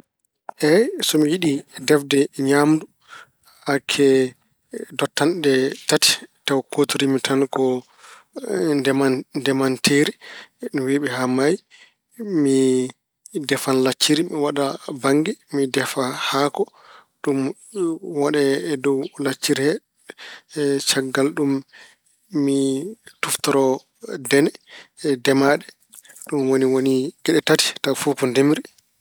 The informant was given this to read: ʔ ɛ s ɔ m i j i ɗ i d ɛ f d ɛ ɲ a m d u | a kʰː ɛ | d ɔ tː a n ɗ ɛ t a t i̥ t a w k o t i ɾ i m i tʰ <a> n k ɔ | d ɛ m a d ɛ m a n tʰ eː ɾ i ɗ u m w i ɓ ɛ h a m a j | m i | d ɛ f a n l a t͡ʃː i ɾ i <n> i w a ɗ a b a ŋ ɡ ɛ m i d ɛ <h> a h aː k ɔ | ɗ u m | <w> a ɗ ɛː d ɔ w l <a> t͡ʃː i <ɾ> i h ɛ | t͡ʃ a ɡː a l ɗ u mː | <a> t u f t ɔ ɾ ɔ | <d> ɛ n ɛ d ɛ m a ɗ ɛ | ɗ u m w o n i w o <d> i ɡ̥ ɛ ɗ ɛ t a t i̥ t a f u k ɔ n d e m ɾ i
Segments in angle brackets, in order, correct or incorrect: correct, incorrect: m, incorrect: f, correct, correct, correct, incorrect: i, correct, incorrect: n

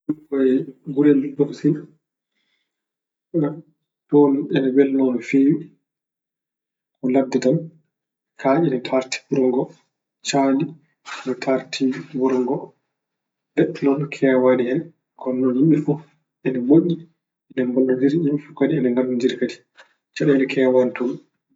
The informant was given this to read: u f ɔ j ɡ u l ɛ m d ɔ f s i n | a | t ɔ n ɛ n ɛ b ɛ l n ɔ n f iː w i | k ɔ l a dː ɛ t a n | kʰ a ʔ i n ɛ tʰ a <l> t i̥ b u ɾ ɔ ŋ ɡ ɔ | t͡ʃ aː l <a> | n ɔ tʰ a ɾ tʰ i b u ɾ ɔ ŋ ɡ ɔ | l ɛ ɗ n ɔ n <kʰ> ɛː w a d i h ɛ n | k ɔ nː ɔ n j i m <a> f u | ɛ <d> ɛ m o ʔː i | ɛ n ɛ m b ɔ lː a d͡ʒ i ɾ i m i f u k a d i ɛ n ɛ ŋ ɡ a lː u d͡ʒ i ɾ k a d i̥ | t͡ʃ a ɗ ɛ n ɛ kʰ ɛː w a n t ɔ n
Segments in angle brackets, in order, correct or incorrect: incorrect: ɾ, incorrect: i, correct, incorrect: i, incorrect: n

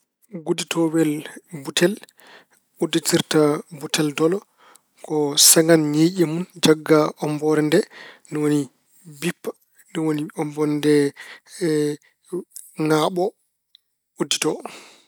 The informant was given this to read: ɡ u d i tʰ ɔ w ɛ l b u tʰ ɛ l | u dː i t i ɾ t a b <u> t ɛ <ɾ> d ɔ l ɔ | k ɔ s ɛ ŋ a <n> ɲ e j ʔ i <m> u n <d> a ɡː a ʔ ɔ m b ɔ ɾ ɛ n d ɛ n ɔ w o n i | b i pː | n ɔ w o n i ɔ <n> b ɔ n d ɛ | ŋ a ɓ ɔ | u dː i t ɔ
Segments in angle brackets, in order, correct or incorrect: correct, incorrect: l, correct, correct, incorrect: d͡ʒ, incorrect: m

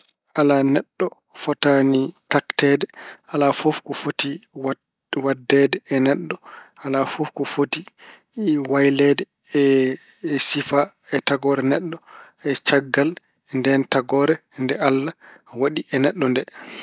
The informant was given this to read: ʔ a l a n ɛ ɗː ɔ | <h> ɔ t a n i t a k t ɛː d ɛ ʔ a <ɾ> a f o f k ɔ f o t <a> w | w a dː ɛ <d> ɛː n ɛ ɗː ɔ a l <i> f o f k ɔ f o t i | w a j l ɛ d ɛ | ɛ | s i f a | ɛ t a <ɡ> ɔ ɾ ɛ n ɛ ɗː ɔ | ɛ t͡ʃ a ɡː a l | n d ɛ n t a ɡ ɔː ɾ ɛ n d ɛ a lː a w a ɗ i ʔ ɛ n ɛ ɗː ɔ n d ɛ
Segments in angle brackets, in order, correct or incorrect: incorrect: f, incorrect: l, incorrect: i, correct, incorrect: a, correct

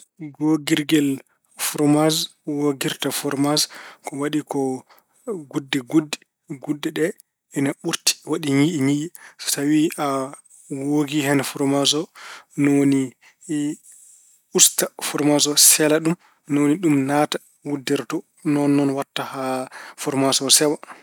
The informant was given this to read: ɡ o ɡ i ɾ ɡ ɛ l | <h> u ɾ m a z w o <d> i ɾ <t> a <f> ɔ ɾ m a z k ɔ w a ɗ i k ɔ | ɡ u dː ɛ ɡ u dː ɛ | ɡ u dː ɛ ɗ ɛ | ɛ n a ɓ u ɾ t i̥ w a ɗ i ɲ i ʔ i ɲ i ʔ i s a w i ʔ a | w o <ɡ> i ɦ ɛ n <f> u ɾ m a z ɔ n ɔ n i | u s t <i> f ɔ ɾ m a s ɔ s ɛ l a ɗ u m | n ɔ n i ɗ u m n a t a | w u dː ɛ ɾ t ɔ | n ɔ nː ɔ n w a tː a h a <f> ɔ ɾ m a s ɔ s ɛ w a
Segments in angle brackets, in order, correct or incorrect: incorrect: f, incorrect: ɡ, correct, correct, correct, correct, incorrect: a, correct

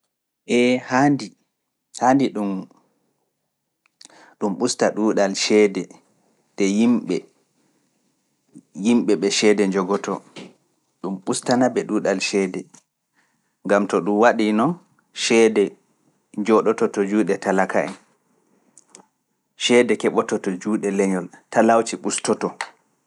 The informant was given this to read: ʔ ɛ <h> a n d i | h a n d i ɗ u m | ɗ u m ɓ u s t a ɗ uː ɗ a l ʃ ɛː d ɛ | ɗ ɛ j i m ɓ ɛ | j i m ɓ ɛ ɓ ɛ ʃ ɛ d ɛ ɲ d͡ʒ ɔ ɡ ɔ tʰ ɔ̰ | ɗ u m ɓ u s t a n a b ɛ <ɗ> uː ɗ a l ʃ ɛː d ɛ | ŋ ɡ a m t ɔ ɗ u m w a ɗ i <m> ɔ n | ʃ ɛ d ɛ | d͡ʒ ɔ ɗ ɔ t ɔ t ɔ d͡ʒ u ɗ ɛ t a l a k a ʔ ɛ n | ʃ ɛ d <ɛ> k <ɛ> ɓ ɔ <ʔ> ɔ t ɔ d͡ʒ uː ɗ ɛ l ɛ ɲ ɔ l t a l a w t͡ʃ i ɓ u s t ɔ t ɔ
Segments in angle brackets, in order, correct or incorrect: correct, correct, incorrect: n, correct, correct, incorrect: t

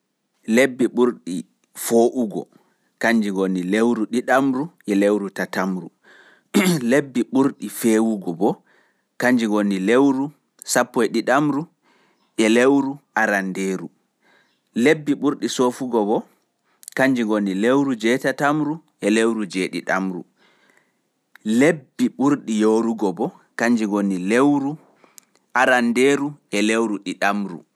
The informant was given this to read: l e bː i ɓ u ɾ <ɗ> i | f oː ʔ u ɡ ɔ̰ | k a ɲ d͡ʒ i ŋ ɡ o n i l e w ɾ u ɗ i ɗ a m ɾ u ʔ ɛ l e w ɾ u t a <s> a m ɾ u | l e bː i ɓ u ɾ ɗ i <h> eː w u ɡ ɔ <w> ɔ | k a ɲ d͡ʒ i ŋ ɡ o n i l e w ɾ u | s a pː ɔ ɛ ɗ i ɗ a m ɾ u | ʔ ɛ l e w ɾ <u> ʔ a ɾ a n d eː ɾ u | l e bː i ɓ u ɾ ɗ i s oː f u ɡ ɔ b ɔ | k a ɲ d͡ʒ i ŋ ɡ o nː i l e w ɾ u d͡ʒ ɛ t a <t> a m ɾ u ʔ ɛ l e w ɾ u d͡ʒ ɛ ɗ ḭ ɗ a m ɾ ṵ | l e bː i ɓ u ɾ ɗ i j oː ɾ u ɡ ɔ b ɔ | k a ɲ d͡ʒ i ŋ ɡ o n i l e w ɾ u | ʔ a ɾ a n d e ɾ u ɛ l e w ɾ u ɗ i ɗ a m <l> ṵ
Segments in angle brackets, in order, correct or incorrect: correct, incorrect: t, incorrect: f, incorrect: b, correct, correct, incorrect: ɾ

